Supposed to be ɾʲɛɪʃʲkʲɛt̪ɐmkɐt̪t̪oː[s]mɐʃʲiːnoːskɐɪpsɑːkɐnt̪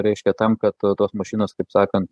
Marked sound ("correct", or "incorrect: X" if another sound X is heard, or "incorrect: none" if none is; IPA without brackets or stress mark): correct